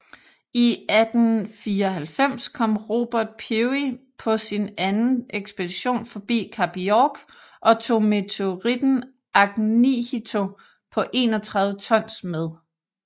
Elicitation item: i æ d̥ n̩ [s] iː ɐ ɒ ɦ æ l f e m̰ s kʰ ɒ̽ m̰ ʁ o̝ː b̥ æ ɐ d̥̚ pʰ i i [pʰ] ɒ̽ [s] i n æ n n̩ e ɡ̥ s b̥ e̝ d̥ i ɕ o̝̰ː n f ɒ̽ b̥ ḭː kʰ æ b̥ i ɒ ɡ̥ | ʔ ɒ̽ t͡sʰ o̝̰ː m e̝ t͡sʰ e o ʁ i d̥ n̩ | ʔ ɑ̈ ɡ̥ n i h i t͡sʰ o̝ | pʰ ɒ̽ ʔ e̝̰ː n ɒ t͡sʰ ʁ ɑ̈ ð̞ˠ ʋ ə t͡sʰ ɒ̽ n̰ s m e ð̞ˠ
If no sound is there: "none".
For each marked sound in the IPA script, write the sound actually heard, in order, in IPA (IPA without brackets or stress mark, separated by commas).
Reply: f, pʰ, s